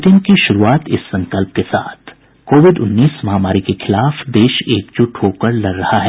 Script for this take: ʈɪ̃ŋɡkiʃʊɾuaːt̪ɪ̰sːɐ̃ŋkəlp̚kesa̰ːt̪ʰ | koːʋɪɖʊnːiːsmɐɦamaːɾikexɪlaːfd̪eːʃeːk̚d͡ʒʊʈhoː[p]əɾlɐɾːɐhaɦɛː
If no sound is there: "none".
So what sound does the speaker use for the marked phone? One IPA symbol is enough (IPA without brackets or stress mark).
k